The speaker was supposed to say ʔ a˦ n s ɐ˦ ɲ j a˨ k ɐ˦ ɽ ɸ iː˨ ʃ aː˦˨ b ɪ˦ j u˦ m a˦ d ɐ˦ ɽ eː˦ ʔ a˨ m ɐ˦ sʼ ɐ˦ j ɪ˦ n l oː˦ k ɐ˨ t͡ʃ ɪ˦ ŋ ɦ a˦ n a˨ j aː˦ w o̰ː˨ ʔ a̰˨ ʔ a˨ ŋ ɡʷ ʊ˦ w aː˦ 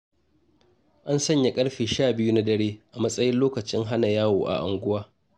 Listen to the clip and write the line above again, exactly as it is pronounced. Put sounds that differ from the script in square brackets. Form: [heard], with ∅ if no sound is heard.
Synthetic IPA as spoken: ʔ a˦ n s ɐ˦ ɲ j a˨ [kʼ] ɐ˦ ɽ ɸ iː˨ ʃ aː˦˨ b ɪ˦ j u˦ [n] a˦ d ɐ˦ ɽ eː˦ ʔ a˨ m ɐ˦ sʼ ɐ˦ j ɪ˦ n l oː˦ k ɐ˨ t͡ʃ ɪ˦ ŋ ɦ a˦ n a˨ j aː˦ w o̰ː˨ ʔ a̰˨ ʔ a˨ ŋ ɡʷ ʊ˦ w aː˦